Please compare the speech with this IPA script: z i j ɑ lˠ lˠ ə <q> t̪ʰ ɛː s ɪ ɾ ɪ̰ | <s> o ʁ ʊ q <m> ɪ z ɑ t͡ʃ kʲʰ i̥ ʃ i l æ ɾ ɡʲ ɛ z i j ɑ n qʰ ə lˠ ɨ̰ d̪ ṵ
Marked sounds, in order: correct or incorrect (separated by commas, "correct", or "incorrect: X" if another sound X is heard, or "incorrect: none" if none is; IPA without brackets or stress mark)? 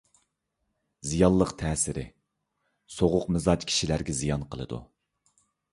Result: correct, correct, correct